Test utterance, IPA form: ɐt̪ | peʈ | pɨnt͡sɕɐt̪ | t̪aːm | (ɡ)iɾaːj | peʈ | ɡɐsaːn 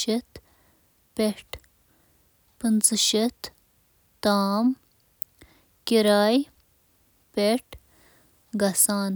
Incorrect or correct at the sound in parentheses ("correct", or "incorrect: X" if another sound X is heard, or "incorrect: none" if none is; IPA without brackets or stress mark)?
incorrect: k